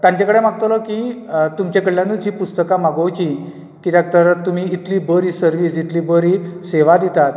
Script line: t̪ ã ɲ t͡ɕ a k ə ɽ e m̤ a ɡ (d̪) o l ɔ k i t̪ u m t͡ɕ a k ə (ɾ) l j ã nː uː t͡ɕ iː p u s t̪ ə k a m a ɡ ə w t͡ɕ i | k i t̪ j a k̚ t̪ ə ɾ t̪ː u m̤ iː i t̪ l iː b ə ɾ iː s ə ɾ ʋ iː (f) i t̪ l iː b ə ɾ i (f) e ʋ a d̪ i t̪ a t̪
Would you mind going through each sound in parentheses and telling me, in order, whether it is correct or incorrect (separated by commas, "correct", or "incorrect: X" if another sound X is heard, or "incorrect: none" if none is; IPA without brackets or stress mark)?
incorrect: t̪, incorrect: ɽ, incorrect: s, incorrect: s